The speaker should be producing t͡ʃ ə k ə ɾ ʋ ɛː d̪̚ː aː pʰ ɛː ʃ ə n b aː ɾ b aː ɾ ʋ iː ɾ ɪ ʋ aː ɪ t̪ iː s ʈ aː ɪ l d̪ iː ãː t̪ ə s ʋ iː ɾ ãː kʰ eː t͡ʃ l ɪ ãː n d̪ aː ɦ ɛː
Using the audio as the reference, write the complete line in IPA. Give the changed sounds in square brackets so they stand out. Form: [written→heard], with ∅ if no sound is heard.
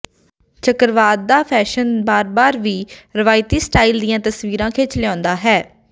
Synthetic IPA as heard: t͡ʃ ə k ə ɾ ʋ [ɛː→aː] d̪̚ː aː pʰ ɛː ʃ ə n b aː ɾ b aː ɾ ʋ iː ɾ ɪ ʋ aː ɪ t̪ iː s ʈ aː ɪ l d̪ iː ãː t̪ ə s ʋ iː ɾ ãː kʰ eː t͡ʃ l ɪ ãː n d̪ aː ɦ ɛː